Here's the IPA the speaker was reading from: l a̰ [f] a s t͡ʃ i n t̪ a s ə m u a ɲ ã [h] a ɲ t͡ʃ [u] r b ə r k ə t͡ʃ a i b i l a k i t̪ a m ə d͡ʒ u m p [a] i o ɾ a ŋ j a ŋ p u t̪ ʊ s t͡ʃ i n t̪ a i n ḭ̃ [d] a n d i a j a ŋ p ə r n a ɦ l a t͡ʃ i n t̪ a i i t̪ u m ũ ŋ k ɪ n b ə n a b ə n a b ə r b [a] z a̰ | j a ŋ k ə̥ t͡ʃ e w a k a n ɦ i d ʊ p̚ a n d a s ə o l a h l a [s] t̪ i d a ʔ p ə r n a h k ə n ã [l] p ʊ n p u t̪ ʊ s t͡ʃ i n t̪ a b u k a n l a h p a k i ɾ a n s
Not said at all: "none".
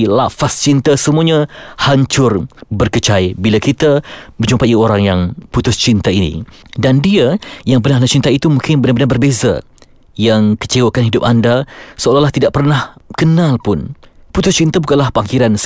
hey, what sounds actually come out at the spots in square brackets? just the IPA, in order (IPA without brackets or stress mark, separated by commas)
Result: f, h, ʊ, a, d, e, h, l